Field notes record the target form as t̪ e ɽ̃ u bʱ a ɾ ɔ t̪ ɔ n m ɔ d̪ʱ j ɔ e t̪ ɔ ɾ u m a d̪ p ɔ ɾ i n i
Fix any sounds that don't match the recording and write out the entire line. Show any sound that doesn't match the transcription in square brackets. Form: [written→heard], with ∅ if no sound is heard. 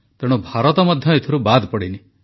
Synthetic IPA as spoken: t̪ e ɽ̃ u bʱ a ɾ ɔ t̪ ɔ [n→∅] m ɔ d̪ʱ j ɔ e [t̪→t̪ʰ] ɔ ɾ u [m→b] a d̪ p ɔ [ɾ→ɽ] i n i